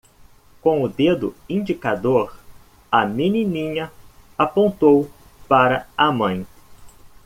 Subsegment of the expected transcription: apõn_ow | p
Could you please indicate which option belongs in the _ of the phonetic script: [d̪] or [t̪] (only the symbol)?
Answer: t̪